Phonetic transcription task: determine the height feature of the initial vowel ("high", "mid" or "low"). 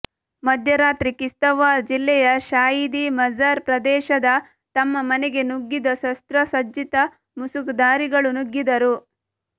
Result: low